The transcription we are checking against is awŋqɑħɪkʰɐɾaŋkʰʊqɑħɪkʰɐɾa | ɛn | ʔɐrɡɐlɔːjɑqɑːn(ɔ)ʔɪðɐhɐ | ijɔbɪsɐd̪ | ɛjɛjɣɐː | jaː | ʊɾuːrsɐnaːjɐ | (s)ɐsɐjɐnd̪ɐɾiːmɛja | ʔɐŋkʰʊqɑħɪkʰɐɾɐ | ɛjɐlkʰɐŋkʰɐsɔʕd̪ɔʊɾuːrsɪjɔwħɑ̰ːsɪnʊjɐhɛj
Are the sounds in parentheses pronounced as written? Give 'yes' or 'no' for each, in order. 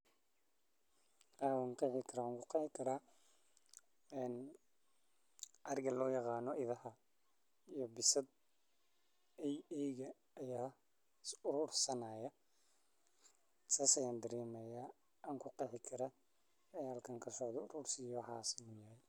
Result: yes, yes

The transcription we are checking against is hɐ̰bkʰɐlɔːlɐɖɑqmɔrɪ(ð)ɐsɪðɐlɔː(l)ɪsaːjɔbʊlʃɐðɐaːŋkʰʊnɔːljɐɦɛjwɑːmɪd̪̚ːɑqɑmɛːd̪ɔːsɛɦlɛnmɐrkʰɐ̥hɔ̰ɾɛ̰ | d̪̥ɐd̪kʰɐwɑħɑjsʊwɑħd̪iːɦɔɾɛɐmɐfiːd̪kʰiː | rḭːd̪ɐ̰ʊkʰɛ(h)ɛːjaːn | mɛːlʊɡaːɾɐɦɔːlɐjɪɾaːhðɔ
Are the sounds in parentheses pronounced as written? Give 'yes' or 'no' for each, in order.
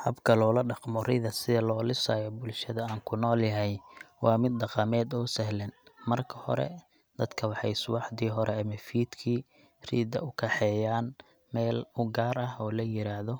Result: yes, yes, no

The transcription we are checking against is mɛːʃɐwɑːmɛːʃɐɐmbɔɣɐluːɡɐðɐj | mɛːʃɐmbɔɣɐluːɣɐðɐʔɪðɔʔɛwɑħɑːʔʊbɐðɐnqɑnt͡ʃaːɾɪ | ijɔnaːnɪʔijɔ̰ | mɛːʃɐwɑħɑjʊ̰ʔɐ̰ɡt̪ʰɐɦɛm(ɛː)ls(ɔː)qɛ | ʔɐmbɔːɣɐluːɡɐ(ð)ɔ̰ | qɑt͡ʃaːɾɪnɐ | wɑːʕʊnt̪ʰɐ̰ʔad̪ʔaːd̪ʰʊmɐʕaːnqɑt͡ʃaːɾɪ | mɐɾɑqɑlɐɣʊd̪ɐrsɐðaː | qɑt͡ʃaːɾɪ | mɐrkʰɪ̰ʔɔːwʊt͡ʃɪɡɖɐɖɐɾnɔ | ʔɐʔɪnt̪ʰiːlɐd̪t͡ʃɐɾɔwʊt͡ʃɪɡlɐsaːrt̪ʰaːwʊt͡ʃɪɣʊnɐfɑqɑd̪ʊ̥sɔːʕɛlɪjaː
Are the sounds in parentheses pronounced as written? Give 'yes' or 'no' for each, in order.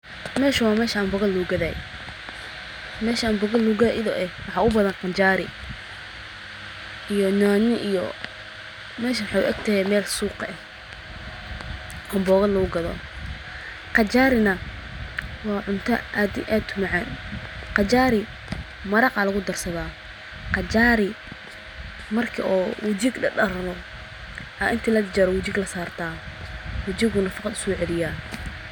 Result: yes, no, yes

